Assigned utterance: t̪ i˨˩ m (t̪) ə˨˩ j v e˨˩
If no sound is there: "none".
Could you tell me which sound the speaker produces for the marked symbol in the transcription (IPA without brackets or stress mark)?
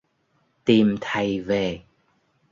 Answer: t̪ʰ